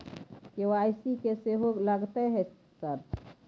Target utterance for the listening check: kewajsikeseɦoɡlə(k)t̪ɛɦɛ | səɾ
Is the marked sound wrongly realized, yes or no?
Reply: yes